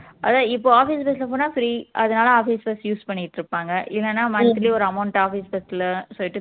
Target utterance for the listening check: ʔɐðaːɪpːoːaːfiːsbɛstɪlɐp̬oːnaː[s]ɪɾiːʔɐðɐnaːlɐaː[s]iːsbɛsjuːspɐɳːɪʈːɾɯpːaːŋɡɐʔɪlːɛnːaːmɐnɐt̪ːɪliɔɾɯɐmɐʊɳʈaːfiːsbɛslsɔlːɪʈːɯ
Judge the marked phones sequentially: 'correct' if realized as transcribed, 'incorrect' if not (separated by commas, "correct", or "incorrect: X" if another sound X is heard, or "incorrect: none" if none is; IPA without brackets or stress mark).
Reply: incorrect: f, incorrect: f